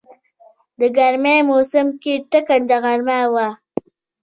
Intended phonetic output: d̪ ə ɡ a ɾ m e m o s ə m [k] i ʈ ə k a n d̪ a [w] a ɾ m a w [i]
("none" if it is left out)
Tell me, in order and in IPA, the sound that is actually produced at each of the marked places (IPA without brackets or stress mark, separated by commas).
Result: k, ɣ, a